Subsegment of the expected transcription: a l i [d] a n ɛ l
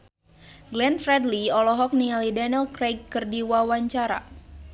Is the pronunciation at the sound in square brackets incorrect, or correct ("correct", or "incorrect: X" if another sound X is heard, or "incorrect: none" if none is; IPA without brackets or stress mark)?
correct